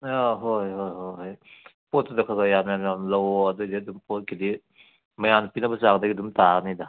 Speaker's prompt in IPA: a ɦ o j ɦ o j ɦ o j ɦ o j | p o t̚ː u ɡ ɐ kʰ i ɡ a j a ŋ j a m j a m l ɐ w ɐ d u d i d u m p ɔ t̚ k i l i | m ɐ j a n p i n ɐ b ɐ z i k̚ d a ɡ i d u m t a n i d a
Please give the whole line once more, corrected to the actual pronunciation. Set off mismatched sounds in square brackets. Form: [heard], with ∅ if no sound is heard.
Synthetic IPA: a ɦ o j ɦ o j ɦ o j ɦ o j | p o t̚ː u [d] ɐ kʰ [a] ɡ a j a [m] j a m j a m l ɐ w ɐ d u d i d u m p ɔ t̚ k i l i | m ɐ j a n p i n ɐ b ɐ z [a] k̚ d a ɡ i d u m t a n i d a

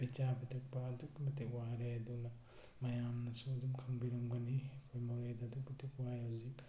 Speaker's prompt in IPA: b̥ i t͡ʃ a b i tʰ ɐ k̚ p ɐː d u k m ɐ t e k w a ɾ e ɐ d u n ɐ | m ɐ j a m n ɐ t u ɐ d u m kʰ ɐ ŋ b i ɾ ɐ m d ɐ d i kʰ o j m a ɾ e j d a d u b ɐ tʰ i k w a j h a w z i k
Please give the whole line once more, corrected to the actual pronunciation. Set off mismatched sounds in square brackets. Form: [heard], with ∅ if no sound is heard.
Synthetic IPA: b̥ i t͡ʃ a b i tʰ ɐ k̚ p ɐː d u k m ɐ t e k w a ɾ e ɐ d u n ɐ | m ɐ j a m n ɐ [s] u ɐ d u m kʰ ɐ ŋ b i ɾ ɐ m [ɡ] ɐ [n] i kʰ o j m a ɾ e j d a d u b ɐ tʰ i k w a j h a w z i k

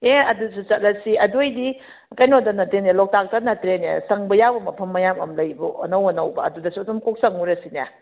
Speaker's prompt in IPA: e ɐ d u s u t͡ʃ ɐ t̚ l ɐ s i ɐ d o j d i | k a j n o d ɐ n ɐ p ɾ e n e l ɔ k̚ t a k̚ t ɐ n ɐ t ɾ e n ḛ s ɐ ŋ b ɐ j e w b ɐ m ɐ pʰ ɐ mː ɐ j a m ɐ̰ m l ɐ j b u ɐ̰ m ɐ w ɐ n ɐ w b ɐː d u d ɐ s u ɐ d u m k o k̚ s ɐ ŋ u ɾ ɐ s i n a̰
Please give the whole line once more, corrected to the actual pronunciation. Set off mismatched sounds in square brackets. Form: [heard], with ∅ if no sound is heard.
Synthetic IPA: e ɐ d u s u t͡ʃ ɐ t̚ l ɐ s i ɐ d o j d i | k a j n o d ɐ n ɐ [t] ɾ e n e l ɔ k̚ t a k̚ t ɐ n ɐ t ɾ e n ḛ s ɐ ŋ b ɐ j [a] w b ɐ m ɐ pʰ ɐ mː ɐ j a m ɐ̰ m l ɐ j b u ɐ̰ [n] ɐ w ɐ n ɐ w b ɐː d u d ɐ s u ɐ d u m k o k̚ s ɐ ŋ u ɾ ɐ s i n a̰

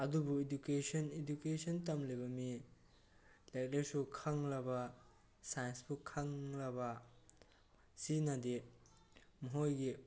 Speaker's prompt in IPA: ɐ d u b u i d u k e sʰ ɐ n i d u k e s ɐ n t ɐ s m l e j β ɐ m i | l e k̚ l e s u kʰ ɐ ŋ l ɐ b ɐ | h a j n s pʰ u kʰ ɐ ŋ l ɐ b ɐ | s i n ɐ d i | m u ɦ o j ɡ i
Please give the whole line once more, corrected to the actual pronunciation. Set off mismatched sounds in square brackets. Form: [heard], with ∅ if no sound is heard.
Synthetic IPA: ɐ d u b u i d u k e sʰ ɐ n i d u k e s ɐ n t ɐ [∅] m l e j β ɐ m i | l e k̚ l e s u kʰ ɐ ŋ l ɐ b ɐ | [s] a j n s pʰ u kʰ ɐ ŋ l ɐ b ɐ | s i n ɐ d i | m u ɦ o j ɡ i

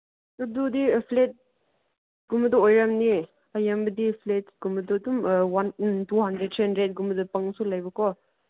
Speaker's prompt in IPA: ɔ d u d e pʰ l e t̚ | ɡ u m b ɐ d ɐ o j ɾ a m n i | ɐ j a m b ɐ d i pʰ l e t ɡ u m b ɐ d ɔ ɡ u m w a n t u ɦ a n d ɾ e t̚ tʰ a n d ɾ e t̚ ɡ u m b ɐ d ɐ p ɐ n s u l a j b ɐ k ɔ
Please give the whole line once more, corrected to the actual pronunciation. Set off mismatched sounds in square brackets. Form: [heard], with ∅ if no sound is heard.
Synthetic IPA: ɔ d u d [i] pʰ l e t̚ | ɡ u m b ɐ d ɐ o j ɾ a m n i | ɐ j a m b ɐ d i pʰ l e t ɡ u m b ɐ d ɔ [d] u m w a n t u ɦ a n d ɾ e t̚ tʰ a n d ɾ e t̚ ɡ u m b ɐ d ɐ p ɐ [ŋ] s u l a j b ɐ k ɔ

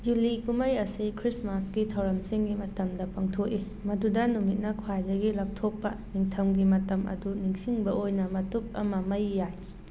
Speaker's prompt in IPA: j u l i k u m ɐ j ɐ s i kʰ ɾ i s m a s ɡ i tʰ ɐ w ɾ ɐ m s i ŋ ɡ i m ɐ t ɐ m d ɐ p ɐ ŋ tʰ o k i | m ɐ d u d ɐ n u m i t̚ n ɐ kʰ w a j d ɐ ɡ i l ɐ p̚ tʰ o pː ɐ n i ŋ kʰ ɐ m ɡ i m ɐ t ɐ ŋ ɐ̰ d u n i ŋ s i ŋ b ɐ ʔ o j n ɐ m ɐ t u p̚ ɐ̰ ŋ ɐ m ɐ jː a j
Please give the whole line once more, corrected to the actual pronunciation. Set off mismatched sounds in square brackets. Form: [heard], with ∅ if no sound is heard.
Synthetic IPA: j u l i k u m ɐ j ɐ s i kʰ ɾ i s m a s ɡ i tʰ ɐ w ɾ ɐ m s i ŋ ɡ i m ɐ t ɐ m d ɐ p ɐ ŋ tʰ o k i | m ɐ d u d ɐ n u m i t̚ n ɐ kʰ w a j d ɐ ɡ i l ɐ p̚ tʰ o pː ɐ n i ŋ [tʰ] ɐ m ɡ i m ɐ t ɐ [m] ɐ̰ d u n i ŋ s i ŋ b ɐ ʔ o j n ɐ m ɐ t u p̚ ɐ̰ [m] ɐ m ɐ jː a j

